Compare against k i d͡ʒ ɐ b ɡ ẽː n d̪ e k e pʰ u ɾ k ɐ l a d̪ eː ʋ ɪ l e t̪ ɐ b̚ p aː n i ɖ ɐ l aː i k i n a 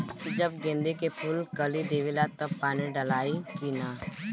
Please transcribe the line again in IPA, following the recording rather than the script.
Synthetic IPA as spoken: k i d͡ʒ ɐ b ɡ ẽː n d̪ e k e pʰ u l k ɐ l i d̪ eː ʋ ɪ l a t̪ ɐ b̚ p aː n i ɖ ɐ l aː i k i n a